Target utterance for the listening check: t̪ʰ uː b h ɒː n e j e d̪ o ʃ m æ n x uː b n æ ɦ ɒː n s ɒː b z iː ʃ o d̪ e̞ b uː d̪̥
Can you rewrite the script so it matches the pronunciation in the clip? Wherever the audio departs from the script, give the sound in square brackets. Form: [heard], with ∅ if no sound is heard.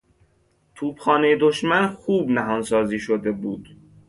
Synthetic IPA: t̪ʰ uː b [x] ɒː n e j e d̪ o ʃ m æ n x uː b n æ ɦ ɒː n s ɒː [∅] z iː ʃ o d̪ e̞ b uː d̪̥